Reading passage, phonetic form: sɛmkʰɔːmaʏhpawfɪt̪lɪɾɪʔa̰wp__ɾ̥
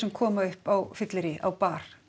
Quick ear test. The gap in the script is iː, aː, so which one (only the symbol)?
aː